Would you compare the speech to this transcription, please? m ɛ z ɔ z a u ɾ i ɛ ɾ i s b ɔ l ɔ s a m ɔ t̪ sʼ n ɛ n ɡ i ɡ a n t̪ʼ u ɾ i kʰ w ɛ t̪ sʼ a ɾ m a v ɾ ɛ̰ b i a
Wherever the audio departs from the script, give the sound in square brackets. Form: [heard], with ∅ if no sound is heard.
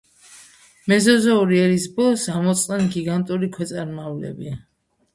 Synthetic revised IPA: m ɛ z ɔ z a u ɾ i ɛ ɾ i s b ɔ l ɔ s a m ɔ t̪ sʼ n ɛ n ɡ i ɡ a n t̪ʼ u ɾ i kʰ w ɛ t̪ sʼ a ɾ m a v [l] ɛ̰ b i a